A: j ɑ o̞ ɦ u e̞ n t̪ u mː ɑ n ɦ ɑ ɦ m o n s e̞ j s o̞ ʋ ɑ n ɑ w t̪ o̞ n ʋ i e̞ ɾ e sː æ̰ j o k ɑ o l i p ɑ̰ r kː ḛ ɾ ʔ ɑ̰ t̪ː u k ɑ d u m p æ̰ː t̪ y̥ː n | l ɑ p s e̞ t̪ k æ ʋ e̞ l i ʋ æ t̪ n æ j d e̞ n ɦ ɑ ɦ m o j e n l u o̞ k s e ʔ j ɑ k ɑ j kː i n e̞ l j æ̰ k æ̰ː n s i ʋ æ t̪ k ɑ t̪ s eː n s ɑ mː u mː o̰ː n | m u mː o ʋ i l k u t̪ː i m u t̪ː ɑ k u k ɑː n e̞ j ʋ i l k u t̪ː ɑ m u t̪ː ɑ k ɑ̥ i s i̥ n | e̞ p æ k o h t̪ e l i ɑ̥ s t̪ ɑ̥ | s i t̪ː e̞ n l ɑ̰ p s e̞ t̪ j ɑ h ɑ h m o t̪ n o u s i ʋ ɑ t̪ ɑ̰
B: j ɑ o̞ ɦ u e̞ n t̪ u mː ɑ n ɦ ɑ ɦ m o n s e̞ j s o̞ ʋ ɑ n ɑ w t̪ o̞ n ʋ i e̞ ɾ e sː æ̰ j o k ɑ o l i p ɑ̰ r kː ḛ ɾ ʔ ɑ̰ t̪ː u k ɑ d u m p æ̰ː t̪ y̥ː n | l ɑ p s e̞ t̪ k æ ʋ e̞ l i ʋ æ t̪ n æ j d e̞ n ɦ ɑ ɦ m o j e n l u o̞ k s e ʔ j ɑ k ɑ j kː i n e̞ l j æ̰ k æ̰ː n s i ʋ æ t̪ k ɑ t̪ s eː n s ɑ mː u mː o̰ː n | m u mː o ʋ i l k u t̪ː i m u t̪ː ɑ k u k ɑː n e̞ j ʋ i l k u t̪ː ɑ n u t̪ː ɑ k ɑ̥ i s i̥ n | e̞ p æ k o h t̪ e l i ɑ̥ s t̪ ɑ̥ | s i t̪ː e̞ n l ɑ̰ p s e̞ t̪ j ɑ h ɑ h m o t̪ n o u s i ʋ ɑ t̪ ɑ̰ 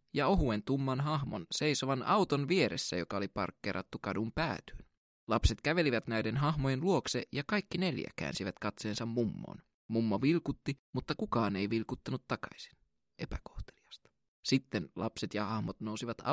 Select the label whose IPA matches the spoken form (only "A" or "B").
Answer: B